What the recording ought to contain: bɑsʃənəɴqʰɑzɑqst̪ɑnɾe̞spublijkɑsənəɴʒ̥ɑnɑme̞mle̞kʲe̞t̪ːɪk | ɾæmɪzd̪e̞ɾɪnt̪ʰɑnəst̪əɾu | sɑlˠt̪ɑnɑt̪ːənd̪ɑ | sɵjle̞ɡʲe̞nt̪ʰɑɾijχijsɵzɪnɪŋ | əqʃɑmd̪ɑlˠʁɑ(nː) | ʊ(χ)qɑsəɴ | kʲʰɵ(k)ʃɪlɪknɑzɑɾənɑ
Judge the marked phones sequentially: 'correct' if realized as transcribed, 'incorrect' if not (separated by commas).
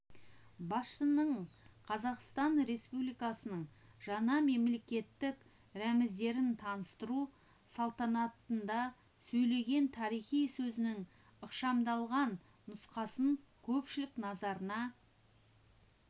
correct, incorrect, incorrect